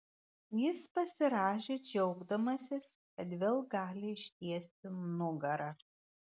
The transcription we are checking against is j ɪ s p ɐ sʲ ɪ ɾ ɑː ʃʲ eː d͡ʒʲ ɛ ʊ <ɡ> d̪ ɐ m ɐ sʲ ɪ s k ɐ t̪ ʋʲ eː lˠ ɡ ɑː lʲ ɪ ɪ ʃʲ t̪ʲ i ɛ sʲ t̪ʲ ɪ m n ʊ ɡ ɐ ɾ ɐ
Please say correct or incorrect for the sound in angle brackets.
correct